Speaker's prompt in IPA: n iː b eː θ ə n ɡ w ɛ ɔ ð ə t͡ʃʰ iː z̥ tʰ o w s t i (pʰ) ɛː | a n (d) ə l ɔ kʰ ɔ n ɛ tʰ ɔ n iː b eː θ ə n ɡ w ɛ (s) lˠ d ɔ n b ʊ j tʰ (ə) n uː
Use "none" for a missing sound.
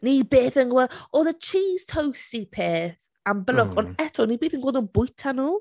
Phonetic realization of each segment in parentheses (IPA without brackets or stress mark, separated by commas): pʰ, b, none, a